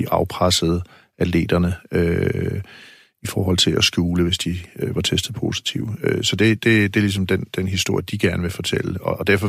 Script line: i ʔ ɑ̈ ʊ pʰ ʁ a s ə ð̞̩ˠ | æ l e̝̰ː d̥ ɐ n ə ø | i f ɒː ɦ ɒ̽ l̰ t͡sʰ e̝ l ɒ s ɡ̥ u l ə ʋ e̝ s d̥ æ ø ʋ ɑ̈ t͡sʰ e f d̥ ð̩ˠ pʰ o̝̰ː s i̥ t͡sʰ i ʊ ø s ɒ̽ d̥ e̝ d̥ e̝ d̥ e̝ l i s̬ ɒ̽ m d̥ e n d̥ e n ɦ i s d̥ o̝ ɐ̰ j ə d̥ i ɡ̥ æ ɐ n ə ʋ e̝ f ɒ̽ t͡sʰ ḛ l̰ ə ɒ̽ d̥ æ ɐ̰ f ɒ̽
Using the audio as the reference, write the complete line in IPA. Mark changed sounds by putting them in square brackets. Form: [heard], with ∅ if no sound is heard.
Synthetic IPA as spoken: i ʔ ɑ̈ ʊ pʰ ʁ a s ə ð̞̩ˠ | æ l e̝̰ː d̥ ɐ n ə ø | i f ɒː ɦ ɒ̽ l̰ t͡sʰ e̝ l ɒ s ɡ̥ [uː] l ə ʋ e̝ s d̥ [i] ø ʋ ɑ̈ t͡sʰ e [s] d̥ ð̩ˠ pʰ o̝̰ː s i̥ t͡sʰ i ʊ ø s ɒ̽ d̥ e̝ d̥ e̝ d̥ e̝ l i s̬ ɒ̽ m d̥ e n d̥ e n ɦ i s d̥ o̝ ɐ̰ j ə d̥ i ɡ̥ æ ɐ n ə ʋ e̝ f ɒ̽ t͡sʰ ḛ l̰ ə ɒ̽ d̥ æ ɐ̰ f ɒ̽